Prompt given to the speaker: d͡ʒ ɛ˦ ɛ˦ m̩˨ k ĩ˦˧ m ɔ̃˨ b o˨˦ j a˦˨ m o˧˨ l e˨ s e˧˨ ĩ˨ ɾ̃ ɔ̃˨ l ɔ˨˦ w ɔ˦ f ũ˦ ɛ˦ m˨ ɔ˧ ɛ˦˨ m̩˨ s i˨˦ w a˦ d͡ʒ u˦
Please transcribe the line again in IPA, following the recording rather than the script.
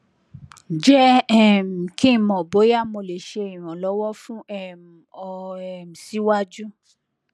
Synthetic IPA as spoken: d͡ʒ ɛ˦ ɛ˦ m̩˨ k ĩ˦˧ m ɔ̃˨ b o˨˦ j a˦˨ m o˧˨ l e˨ ʃ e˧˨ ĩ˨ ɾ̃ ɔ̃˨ l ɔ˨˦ w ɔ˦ f ũ˦ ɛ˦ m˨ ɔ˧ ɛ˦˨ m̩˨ s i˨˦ w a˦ d͡ʒ u˦

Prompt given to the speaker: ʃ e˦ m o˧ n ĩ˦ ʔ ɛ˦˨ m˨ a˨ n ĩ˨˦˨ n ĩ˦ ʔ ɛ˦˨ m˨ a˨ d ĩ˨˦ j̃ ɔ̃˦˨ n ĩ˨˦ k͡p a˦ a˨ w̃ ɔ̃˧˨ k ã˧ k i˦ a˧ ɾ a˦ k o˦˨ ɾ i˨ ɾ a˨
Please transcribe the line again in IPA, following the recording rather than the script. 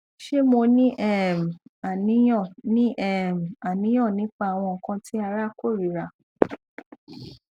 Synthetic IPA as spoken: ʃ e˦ m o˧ n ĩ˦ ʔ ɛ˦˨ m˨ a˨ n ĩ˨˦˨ n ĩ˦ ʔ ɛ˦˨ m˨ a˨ n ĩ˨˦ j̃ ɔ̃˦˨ n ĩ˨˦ k͡p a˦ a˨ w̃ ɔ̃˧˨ k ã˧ t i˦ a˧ ɾ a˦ k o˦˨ ɾ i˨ ɾ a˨

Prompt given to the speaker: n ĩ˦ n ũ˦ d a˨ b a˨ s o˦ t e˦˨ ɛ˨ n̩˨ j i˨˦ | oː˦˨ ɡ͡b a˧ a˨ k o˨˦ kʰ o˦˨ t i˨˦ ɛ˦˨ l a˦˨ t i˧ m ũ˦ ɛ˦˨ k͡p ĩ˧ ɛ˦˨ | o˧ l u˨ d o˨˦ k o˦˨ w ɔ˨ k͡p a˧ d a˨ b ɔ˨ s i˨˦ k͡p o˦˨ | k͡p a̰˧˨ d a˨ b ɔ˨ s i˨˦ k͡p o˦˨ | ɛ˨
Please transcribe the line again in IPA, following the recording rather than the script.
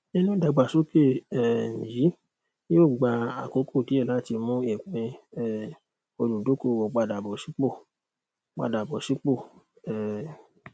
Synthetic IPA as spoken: n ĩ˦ n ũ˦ d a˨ ɡ͡b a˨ s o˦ k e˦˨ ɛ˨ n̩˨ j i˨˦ | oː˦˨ ɡ͡b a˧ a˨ k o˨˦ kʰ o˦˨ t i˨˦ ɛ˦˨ l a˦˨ t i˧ m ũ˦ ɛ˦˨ k͡p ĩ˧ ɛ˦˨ | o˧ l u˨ d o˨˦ k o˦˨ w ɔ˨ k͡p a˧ d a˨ b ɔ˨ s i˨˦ k͡p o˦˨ | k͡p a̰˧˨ d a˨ b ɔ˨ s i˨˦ k͡p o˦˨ | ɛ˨

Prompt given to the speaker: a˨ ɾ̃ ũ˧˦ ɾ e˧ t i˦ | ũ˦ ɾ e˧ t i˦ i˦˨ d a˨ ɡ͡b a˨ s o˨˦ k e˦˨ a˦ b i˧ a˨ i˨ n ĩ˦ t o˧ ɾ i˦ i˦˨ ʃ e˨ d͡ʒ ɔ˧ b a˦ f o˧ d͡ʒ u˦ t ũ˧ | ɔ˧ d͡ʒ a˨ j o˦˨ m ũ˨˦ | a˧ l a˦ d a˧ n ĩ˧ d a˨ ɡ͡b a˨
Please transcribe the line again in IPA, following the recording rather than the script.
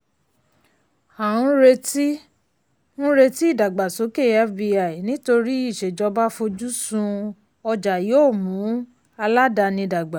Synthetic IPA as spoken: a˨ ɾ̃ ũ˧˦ ɾ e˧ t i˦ | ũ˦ ɾ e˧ t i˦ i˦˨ d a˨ ɡ͡b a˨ s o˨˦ k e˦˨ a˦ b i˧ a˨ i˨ n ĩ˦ t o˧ ɾ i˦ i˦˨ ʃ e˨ d͡ʒ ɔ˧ b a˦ f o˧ d͡ʒ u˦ s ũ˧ | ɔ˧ d͡ʒ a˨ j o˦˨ m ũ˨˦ | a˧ l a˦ d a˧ n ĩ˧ d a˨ ɡ͡b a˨

